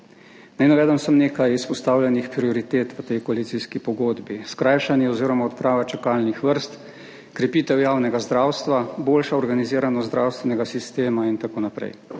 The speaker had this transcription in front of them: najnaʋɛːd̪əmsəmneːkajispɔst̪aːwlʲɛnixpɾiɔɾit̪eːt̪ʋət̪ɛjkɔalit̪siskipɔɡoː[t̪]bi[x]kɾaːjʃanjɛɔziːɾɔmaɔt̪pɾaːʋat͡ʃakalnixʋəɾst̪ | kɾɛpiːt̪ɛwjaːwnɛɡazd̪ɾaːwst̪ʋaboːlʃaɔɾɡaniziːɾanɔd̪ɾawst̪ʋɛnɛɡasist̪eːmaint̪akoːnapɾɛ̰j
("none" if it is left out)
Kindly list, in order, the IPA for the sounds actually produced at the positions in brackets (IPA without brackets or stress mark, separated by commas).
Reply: d̪, s